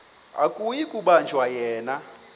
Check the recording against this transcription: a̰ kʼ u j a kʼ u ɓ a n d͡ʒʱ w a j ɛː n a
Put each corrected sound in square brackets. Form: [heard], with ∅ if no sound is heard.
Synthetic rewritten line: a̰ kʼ u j [i] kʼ u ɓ a n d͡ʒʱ w a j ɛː n a